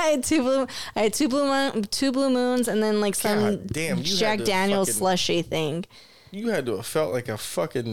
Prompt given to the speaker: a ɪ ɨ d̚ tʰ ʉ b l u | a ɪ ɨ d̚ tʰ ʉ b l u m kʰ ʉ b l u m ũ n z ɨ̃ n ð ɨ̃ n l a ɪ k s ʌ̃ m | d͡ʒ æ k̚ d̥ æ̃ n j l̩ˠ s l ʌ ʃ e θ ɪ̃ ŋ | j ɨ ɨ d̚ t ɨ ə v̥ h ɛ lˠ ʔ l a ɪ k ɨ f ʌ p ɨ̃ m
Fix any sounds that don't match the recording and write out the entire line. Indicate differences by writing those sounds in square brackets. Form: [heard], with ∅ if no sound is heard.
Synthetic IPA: a ɪ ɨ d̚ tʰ ʉ b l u | a ɪ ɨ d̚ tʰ ʉ b l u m [tʰ] ʉ b l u m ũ n z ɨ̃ n ð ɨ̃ n l a ɪ k s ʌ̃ m | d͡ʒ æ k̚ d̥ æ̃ n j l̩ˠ s l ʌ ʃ [i] θ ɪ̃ ŋ | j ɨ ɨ d̚ t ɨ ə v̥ [f] ɛ lˠ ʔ l a ɪ k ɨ f ʌ [k] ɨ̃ [n]